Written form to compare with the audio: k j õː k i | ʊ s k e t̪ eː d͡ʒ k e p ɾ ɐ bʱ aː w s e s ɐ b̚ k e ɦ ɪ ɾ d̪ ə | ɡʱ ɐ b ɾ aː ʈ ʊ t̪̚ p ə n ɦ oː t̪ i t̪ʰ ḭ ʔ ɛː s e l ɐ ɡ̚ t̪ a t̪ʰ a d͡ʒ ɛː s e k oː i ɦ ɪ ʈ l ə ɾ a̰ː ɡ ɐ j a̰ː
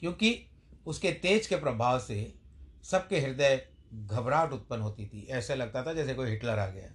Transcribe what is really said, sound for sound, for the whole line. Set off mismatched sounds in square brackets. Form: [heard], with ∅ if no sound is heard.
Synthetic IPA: k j õː k i | ʊ s k e t̪ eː d͡ʒ k e p ɾ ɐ bʱ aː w s e s ɐ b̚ k e ɦ ɪ ɾ d̪ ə | ɡʱ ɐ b ɾ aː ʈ ʊ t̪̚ p ə n ɦ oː t̪ i t̪ʰ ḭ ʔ ɛː s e l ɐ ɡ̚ t̪ a t̪ʰ a d͡ʒ ɛː s e k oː i ɦ ɪ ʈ l ə ɾ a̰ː ɡ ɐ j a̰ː